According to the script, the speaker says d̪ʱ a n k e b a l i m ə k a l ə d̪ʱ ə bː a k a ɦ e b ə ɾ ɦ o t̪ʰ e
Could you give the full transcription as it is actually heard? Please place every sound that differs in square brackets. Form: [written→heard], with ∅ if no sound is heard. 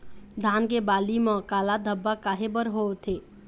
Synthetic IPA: d̪ʱ a n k e b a l i m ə k a l [ə→a] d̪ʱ ə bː a k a ɦ e b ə ɾ ɦ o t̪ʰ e